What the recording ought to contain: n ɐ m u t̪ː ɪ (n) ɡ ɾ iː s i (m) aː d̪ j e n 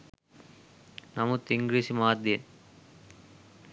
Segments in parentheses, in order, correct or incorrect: incorrect: ŋ, correct

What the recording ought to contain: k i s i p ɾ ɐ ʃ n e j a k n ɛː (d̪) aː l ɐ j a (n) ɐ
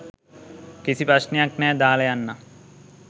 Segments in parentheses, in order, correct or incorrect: correct, incorrect: nː

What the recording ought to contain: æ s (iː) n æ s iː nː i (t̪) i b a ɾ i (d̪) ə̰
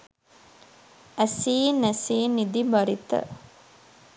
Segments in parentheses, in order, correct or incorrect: correct, incorrect: d̪, incorrect: t̪

